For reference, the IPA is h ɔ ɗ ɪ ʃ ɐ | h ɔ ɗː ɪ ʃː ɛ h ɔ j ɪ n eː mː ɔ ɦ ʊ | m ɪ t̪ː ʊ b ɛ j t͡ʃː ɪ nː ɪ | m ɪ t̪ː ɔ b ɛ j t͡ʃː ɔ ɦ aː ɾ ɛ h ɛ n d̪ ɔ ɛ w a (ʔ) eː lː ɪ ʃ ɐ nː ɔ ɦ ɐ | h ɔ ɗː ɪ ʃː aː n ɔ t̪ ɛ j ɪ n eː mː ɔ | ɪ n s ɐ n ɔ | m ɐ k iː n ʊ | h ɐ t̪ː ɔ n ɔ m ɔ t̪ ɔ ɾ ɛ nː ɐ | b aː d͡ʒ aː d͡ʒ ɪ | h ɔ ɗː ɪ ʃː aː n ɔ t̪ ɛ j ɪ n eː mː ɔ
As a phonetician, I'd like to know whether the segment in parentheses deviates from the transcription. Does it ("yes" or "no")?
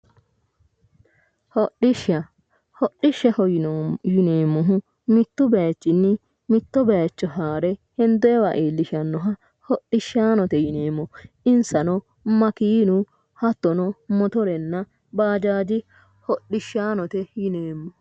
no